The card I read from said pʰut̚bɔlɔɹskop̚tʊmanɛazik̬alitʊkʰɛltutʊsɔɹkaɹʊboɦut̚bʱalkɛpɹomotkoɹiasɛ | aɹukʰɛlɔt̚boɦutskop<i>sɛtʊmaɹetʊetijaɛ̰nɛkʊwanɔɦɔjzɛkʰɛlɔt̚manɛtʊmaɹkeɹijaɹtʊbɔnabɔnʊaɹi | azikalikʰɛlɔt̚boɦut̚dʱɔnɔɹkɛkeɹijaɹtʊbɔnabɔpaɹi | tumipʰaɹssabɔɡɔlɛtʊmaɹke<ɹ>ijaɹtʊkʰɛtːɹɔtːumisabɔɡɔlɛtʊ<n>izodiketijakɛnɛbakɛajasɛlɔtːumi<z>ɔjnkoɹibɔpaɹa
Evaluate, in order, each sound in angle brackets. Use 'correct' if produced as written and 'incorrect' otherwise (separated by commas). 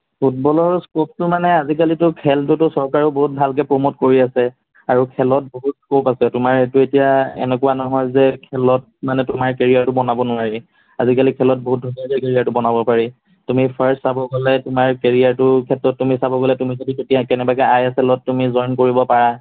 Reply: incorrect, correct, incorrect, correct